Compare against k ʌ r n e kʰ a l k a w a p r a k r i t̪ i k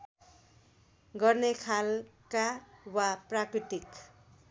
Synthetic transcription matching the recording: ɡ ʌ r n e kʰ a l k a w a p r a k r i t̪ i k